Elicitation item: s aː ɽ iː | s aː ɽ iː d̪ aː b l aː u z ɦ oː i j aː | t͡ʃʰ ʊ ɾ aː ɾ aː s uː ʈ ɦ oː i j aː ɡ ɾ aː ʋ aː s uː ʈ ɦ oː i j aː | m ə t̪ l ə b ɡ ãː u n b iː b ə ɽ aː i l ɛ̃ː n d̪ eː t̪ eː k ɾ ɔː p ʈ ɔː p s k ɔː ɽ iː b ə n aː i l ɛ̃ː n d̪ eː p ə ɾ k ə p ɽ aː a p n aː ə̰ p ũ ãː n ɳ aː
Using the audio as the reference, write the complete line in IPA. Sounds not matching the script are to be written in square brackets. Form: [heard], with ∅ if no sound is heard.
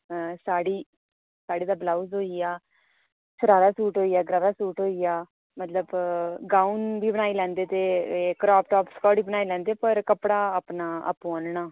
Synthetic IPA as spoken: s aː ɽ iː | s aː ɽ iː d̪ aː b l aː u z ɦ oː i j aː | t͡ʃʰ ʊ ɾ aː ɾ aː s uː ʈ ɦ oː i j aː ɡ ɾ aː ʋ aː s uː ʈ ɦ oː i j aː | m ə t̪ l ə b ɡ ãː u n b iː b ə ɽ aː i l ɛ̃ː n d̪ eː t̪ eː k ɾ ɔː p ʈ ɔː p s k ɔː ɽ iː b ə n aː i l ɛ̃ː n d̪ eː p ə ɾ k ə p ɽ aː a p n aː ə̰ p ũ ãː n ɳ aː